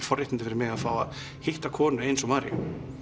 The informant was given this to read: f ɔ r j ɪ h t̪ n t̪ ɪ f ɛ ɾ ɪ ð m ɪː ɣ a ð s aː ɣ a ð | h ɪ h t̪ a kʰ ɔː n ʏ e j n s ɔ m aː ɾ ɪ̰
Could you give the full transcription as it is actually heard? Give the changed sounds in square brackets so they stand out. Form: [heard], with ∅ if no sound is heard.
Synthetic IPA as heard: f ɔ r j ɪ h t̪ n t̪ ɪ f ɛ ɾ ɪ [∅] m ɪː ɣ a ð [f] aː [w] a ð | h ɪ h t̪ a kʰ ɔː n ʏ e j n s ɔ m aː ɾ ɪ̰